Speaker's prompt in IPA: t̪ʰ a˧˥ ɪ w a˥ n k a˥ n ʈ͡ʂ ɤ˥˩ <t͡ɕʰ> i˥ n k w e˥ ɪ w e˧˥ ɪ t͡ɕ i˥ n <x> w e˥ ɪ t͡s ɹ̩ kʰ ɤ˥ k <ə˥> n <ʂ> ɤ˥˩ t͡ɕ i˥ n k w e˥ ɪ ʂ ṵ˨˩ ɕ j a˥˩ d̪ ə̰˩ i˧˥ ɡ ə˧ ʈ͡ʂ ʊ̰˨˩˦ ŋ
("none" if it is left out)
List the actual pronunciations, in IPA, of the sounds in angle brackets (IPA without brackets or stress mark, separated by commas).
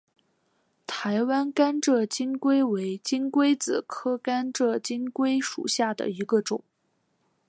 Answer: t͡ɕ, k, a˥, ʈ͡ʂ